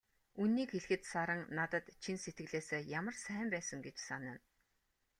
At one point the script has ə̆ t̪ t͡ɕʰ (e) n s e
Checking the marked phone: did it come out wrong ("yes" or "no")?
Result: yes